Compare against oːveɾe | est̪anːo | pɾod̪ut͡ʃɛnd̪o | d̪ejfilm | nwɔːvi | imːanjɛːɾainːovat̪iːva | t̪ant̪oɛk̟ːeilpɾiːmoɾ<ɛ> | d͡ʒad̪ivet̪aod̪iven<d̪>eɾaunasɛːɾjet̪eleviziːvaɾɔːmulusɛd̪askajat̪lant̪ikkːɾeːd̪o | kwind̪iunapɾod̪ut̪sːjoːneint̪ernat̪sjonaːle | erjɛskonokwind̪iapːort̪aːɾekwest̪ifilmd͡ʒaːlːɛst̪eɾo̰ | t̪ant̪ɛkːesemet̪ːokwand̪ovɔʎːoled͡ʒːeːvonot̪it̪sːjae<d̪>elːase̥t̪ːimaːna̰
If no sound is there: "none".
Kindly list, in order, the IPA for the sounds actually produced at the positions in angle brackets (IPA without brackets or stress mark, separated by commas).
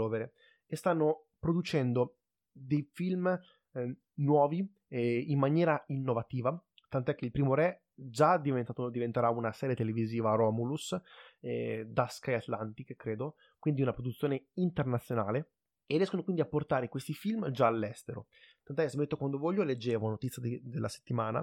ɛ, t̪, d̪